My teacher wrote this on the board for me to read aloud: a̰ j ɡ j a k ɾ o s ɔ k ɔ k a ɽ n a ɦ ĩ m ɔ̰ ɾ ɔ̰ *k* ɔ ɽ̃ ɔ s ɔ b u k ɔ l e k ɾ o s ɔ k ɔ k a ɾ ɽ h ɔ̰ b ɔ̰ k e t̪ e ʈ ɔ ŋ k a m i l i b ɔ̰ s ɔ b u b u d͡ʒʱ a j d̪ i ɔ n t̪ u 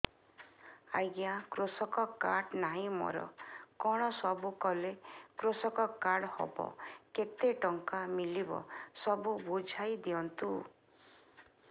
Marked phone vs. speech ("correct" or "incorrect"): correct